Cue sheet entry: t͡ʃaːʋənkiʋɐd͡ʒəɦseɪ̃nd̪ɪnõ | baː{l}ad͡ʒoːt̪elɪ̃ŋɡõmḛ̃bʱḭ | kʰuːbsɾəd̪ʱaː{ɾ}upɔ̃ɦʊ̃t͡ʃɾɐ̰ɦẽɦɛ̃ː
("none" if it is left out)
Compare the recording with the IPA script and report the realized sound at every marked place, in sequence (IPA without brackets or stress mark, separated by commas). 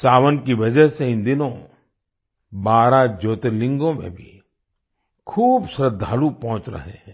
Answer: ɾ, l